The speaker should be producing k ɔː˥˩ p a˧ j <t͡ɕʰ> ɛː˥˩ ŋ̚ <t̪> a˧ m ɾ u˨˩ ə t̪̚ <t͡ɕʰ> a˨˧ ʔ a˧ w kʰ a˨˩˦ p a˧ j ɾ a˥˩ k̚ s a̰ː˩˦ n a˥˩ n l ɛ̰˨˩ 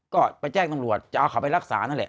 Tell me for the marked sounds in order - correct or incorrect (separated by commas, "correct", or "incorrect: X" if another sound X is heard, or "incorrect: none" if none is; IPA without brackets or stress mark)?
incorrect: t͡ɕ, correct, incorrect: t͡ɕ